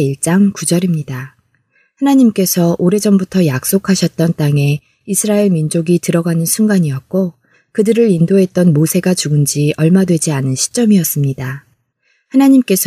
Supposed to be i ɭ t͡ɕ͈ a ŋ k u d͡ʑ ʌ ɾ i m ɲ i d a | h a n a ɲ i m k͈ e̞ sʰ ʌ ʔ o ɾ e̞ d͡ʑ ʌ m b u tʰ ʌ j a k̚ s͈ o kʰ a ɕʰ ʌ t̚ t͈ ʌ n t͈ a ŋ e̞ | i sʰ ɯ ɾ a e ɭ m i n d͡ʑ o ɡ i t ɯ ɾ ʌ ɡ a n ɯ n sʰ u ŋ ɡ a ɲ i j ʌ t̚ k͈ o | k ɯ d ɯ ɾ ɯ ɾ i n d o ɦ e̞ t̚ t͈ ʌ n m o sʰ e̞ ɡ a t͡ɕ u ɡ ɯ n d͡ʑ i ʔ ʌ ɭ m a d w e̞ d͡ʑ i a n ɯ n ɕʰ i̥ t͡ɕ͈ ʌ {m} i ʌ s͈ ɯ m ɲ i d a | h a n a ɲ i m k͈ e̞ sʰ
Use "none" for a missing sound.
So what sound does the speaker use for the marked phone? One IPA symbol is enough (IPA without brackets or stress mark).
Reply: m